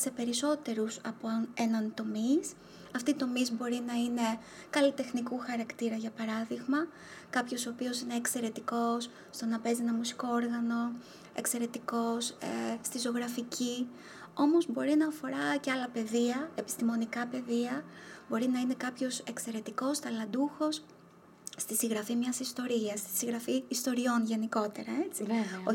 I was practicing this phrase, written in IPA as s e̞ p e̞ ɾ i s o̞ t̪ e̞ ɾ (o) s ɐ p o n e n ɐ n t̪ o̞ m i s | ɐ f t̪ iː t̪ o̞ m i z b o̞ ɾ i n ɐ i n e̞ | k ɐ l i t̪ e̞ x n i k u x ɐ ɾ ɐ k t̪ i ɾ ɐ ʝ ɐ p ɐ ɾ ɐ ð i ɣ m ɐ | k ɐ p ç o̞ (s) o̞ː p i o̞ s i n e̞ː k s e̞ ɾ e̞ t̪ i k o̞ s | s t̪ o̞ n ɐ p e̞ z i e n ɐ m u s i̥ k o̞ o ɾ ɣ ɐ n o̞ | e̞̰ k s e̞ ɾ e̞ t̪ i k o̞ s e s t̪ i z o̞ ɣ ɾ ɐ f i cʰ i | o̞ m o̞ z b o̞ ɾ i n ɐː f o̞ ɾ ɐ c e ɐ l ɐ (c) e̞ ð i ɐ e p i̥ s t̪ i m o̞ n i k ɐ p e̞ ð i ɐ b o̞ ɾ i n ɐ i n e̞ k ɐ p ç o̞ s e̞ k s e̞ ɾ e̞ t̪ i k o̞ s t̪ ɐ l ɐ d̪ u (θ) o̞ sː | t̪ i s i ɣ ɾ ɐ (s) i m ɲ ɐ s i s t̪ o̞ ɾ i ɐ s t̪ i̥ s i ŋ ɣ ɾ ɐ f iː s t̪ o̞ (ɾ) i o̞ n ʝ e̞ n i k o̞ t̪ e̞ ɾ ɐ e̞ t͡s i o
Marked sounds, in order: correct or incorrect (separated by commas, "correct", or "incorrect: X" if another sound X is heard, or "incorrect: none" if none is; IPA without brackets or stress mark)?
incorrect: u, correct, incorrect: p, incorrect: x, incorrect: f, correct